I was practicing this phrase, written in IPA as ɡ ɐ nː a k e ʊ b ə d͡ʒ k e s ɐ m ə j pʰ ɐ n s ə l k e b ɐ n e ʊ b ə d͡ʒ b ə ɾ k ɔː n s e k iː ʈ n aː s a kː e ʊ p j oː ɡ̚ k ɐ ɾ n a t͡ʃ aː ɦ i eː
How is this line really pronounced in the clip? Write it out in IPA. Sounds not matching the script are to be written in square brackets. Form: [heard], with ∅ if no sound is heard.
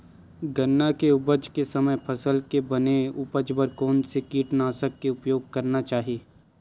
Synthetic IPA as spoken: ɡ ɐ nː a k e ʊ b ə d͡ʒ k e s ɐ m ə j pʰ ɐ [∅] s ə l k e b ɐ n e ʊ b ə d͡ʒ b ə ɾ k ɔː n s e k iː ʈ n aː s [ə] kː e ʊ p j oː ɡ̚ k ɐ ɾ n a t͡ʃ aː ɦ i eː

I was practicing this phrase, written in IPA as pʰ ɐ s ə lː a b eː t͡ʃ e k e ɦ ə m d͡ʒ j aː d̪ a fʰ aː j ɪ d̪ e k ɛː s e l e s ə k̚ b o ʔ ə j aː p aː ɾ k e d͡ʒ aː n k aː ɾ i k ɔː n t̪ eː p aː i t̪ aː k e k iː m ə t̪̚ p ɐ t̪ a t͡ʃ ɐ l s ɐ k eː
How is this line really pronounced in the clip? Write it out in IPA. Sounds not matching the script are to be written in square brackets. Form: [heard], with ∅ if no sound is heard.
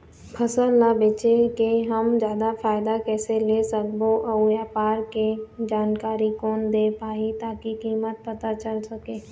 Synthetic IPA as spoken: pʰ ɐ s ə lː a b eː t͡ʃ e k e ɦ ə m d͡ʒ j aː d̪ a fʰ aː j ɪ d̪ [a] k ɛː s e l e s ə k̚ b o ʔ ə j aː p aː ɾ k e d͡ʒ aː n k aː ɾ i k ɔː n [d̪] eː p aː i t̪ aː k [i] k iː m ə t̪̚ p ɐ t̪ a t͡ʃ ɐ l s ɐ k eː

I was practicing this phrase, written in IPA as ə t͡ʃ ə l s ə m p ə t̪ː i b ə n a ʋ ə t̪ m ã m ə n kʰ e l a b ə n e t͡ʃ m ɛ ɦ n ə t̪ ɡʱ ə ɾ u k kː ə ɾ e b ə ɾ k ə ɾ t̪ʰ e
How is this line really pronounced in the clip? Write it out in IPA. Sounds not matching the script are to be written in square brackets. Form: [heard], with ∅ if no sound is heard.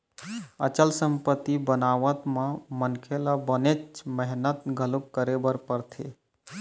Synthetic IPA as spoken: ə t͡ʃ ə l s ə m p ə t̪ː i b ə n a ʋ ə t̪ m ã m ə n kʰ e l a b ə n e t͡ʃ m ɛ ɦ n ə t̪ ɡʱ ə [l] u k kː ə ɾ e b ə ɾ [p] ə ɾ t̪ʰ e

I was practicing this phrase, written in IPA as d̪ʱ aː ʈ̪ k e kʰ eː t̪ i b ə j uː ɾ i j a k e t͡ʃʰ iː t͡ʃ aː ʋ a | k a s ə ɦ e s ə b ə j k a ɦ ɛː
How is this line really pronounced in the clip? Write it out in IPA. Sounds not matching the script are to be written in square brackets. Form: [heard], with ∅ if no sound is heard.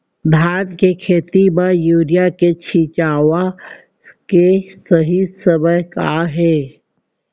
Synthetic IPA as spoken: d̪ʱ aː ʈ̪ k e kʰ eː t̪ i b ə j uː ɾ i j a k e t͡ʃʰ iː t͡ʃ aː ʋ a | k [e] s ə ɦ [i] s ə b ə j k a ɦ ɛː

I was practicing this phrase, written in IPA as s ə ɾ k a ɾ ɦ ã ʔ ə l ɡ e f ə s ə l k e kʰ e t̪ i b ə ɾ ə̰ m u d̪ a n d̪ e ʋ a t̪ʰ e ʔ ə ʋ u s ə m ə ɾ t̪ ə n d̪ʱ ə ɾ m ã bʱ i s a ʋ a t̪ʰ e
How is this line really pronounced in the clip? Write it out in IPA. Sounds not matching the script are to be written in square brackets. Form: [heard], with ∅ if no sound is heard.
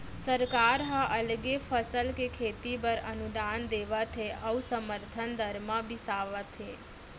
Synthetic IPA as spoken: s ə ɾ k a ɾ ɦ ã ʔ ə l ɡ e f ə s ə l k e kʰ e t̪ i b ə ɾ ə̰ [n] u d̪ a n d̪ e ʋ a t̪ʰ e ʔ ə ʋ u s ə m ə ɾ [t̪ʰ] ə n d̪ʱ ə ɾ m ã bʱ i s a ʋ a t̪ʰ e

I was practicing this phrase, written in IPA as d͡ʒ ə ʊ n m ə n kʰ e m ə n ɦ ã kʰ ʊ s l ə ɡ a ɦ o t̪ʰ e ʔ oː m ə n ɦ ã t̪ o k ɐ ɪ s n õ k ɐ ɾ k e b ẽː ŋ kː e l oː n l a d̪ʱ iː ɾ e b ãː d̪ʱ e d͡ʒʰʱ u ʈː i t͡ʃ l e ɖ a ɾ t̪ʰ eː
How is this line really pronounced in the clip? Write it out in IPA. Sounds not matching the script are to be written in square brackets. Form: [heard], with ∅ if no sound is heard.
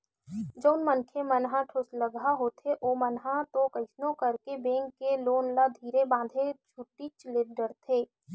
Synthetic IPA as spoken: d͡ʒ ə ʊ n m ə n kʰ e m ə n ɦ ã [ʈʰ] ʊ s l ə ɡ a ɦ o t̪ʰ e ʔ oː m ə n ɦ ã t̪ o k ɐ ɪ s n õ k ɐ ɾ k e b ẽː ŋ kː e l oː n l a d̪ʱ iː ɾ e b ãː d̪ʱ e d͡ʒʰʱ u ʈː i t͡ʃ l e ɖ [ə] ɾ t̪ʰ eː

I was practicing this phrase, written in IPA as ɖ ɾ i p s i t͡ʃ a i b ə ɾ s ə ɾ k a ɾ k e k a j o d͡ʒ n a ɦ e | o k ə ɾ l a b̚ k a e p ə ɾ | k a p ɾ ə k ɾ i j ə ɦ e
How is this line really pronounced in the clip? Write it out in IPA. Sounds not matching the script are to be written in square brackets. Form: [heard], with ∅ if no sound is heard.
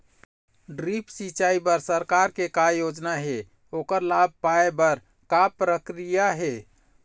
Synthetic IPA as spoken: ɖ ɾ i p s i t͡ʃ a i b ə ɾ s ə ɾ k a ɾ k e k a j o d͡ʒ n a ɦ e | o k ə ɾ l a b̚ [p] a e [b] ə ɾ | k a p ɾ ə k ɾ i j [a] ɦ e

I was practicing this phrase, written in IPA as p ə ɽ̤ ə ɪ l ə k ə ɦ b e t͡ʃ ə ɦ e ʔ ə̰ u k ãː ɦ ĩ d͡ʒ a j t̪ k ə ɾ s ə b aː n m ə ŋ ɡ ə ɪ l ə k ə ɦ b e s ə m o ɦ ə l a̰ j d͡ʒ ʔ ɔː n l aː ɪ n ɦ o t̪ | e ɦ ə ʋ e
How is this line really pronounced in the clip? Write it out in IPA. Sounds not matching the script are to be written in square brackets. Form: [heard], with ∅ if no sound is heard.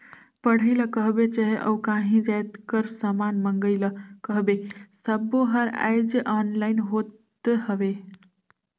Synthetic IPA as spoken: p ə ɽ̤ ə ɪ l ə k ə ɦ b e t͡ʃ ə ɦ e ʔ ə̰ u k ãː ɦ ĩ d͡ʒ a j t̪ k ə ɾ s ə [m] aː n m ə ŋ ɡ ə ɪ l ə k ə ɦ b e s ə [b] o ɦ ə [ɾ] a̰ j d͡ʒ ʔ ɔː n l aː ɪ n ɦ o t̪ | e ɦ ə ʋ e

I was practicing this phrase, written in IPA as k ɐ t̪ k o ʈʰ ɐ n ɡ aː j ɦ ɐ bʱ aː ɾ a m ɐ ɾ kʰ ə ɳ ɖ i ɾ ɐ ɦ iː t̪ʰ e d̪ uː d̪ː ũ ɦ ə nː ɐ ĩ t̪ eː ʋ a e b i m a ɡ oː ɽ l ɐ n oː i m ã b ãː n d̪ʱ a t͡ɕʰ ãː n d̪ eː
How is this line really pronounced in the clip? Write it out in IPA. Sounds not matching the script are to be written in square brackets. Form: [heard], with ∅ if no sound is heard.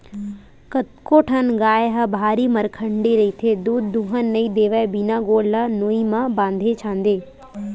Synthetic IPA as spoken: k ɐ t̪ k o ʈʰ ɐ n ɡ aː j ɦ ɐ bʱ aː ɾ [i] m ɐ ɾ kʰ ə ɳ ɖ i ɾ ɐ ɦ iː t̪ʰ e d̪ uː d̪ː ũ ɦ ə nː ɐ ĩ [d̪] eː ʋ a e b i [n] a ɡ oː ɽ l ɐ n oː i m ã b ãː n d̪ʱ [e] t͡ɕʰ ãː n d̪ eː

